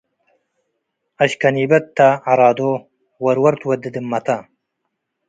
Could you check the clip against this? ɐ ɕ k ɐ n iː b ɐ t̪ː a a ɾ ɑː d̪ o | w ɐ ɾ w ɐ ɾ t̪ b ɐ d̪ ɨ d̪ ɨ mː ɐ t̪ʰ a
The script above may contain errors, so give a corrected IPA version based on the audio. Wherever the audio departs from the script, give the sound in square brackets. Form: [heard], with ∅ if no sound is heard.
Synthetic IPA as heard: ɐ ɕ k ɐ n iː b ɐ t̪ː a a ɾ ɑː d̪ o | w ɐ ɾ w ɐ ɾ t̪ [w] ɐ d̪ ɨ d̪ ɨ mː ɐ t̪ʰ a